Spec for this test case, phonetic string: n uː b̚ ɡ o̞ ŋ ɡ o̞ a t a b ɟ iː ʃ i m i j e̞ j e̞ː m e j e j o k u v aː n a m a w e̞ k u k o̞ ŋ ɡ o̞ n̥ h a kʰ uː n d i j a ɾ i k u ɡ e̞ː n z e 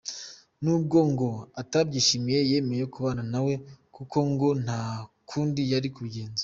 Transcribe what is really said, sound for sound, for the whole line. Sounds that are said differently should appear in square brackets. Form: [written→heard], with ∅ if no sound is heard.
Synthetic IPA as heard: n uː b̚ ɡ o̞ ŋ ɡ o̞ a t a b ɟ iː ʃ i m i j e̞ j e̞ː m e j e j o k u [v→β] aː n a [m→n] a w e̞ k u k o̞ ŋ ɡ o̞ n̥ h a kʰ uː n d i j a ɾ i k u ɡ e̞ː n z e